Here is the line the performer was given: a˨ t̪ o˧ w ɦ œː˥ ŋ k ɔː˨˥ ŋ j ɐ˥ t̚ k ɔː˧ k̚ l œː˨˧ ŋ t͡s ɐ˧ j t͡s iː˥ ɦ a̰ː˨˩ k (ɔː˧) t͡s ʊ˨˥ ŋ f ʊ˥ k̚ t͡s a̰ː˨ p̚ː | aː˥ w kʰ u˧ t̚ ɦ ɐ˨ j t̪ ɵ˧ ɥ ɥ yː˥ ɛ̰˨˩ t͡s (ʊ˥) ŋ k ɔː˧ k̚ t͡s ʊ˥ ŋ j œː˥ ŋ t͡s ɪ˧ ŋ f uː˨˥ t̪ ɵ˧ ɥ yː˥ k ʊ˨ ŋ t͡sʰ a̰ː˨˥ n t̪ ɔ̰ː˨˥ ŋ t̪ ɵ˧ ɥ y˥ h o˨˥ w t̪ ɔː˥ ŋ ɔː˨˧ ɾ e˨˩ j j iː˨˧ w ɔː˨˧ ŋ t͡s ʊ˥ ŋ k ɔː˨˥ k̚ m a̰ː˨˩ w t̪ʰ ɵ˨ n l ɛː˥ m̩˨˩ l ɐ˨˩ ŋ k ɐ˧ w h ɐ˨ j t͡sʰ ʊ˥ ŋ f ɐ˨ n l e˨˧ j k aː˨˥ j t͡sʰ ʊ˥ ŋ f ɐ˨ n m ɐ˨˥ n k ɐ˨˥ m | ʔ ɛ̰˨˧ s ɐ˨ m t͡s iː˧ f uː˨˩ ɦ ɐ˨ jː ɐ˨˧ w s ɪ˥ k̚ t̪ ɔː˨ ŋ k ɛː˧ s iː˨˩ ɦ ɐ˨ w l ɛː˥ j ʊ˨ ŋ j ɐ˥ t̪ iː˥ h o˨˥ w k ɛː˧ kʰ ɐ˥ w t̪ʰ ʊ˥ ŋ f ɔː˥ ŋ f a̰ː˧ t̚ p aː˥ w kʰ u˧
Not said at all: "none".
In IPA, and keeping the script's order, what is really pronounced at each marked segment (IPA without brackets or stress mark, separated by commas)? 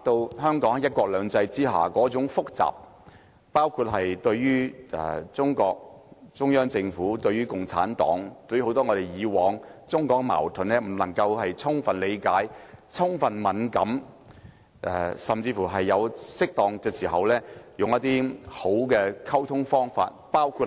ɔː˨˥, ʊ˥